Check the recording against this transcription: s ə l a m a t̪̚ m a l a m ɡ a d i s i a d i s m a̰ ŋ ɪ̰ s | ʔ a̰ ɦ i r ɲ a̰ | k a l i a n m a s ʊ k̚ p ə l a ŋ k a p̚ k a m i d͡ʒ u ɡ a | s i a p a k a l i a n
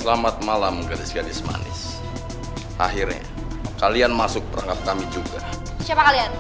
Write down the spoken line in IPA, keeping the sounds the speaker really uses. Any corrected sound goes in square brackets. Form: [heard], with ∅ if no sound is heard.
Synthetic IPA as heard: s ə l a m a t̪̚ m a l a m ɡ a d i s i a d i s m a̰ [n] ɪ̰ s | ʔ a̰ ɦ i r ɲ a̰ | k a l i a n m a s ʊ k̚ p ə [ɾ] a ŋ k a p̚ k a m i d͡ʒ u ɡ a | s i a p a k a l i a n